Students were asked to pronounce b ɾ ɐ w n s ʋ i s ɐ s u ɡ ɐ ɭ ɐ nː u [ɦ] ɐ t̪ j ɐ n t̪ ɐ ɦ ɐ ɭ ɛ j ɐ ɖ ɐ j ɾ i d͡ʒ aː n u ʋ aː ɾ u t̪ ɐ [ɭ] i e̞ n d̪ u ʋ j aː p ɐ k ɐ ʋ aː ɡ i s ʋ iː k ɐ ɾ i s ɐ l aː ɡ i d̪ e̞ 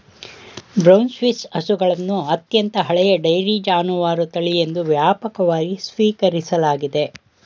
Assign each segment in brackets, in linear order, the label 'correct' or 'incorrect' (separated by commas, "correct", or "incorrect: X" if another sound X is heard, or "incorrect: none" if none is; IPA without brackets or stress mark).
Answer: incorrect: none, correct